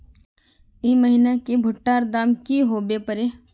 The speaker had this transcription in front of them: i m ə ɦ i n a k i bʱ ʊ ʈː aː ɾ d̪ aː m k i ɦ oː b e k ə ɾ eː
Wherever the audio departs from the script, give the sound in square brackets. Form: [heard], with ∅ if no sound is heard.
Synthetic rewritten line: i m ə ɦ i n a k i bʱ ʊ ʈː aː ɾ d̪ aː m k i ɦ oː b e [p] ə ɾ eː